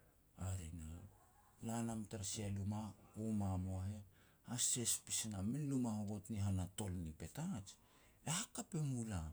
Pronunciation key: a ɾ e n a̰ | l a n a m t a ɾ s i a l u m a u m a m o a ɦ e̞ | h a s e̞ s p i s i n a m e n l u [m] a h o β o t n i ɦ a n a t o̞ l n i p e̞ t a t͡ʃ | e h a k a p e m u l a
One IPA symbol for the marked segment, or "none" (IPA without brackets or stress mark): m